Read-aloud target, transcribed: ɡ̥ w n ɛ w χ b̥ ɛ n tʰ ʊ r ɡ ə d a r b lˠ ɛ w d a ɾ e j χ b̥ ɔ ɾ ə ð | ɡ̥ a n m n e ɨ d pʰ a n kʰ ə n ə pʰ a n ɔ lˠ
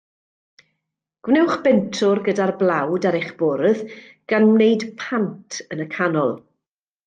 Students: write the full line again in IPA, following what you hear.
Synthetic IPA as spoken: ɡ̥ w n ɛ w χ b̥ ɛ n tʰ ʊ r ɡ ə d a r b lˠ a w d a ɾ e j χ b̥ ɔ ɾ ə ð | ɡ̥ a n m n e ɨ d pʰ a n tʰ ə n ə kʰ a n ɔ lˠ